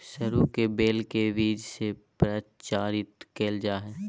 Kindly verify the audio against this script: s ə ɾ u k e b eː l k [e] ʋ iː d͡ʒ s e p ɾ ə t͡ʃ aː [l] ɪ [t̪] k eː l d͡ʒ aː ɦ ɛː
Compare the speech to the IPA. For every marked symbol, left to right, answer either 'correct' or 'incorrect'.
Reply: correct, incorrect, correct

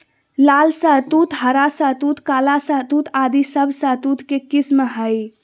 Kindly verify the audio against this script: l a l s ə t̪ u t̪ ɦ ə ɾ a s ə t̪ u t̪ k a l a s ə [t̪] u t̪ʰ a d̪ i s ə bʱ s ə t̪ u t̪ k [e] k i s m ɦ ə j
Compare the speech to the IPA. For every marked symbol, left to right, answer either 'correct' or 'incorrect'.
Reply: correct, correct

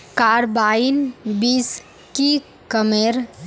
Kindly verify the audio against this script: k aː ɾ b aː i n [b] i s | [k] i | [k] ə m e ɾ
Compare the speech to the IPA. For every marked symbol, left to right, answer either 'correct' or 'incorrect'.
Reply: correct, correct, correct

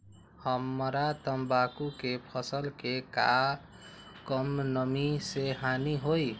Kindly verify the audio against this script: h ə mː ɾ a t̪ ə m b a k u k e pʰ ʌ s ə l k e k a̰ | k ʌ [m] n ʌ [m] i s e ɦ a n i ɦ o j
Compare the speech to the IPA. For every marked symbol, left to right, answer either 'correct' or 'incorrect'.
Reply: correct, correct

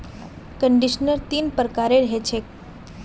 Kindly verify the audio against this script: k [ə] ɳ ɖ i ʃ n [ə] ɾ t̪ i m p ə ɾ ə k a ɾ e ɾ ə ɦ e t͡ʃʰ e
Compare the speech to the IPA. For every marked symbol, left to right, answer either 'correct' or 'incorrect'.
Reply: correct, correct

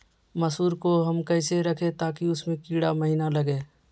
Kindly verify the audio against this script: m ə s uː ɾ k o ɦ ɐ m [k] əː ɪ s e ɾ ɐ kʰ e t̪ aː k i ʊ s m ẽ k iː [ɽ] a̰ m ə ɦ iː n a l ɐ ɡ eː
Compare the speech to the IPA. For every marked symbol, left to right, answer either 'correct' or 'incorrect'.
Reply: correct, correct

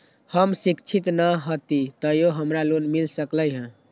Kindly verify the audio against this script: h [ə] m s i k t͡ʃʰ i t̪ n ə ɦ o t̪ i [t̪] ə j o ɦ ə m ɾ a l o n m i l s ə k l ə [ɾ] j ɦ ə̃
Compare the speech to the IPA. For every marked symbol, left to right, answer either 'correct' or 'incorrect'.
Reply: correct, correct, incorrect

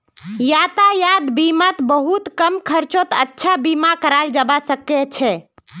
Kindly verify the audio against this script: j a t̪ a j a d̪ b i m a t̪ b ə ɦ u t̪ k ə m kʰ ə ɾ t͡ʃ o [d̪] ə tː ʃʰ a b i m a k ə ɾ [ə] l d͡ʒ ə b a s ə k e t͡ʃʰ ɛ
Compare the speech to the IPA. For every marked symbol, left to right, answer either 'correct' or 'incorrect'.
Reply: incorrect, incorrect

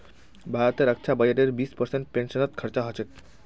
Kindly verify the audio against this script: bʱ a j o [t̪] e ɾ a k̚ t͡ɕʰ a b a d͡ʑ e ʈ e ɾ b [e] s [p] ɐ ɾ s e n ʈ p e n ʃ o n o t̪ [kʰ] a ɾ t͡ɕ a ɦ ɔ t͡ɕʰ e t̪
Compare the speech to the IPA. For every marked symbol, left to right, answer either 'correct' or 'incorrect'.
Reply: correct, incorrect, correct, correct

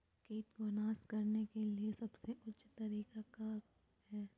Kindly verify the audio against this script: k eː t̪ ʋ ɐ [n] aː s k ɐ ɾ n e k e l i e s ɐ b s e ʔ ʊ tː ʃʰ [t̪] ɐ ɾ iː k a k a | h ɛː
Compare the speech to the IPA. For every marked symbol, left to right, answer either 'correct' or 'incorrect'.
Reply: correct, correct

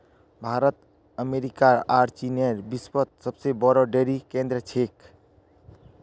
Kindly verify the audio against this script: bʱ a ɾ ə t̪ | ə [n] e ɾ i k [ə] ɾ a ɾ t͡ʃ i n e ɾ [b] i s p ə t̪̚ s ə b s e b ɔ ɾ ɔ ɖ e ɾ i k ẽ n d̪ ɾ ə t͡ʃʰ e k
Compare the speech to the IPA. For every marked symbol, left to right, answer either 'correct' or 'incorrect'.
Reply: incorrect, incorrect, correct

